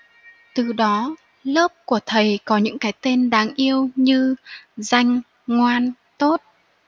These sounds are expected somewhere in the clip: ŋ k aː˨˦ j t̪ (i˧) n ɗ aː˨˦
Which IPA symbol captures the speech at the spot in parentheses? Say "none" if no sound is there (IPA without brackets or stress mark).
e˧